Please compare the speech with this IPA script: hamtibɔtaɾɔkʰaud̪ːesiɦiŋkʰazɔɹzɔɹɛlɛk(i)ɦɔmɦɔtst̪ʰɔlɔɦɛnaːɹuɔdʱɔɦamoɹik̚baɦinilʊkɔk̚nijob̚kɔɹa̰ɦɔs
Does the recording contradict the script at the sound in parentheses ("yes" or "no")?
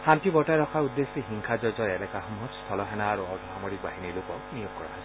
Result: yes